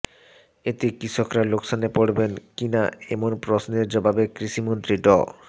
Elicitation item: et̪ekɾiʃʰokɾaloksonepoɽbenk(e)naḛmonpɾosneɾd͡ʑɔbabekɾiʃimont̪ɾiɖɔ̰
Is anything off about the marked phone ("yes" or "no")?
yes